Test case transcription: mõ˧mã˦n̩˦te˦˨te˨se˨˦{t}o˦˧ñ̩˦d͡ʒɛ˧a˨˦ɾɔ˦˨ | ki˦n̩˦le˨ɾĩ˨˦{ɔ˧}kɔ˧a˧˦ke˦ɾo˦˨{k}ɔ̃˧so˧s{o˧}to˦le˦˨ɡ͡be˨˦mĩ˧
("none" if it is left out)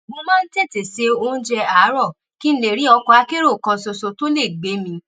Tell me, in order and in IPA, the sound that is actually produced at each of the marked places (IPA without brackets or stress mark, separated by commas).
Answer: none, ɔ˧, k, o˧